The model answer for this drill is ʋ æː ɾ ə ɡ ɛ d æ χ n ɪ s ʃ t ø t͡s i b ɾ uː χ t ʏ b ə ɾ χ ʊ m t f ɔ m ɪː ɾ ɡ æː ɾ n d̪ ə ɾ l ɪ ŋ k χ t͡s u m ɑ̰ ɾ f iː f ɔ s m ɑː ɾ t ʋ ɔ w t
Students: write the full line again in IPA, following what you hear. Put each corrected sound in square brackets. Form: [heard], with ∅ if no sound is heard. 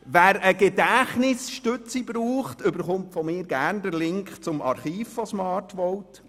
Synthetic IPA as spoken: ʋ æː ɾ ə ɡ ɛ d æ χ n ɪ s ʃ t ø t͡s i b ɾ uː χ t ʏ b ə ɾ χ ʊ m t f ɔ m ɪː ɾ ɡ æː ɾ n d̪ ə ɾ l ɪ ŋ k χ t͡s [ʊ] m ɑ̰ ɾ [χ] iː f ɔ s m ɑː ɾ t ʋ ɔ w t